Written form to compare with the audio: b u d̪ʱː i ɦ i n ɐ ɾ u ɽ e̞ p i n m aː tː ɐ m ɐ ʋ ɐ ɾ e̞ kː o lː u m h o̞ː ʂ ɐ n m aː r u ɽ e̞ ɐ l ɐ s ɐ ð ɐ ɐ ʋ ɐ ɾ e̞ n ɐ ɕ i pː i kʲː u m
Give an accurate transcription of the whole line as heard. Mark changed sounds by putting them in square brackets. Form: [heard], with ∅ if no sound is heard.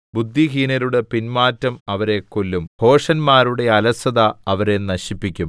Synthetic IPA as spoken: b u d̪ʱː i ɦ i n ɐ ɾ u ɽ e̞ p i n m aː tː ɐ m ɐ ʋ ɐ ɾ e̞ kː o lː u m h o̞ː ʂ ɐ n m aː [ɾ] u ɽ e̞ ɐ l ɐ s ɐ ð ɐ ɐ ʋ ɐ ɾ e̞ n ɐ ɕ i pː i kʲː u m